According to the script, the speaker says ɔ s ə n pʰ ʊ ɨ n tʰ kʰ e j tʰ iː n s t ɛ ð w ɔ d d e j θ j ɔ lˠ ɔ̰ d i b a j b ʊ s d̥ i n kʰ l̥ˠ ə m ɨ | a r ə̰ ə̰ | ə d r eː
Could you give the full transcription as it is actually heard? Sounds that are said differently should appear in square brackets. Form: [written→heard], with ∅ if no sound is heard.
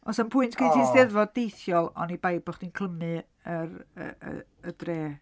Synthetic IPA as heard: ɔ s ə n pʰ ʊ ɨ n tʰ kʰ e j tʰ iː n s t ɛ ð [w→v] ɔ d d e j θ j ɔ lˠ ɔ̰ [d→n] i b a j b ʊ [s→χ] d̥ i n kʰ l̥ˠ ə m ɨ | [a→ə] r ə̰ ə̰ | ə d r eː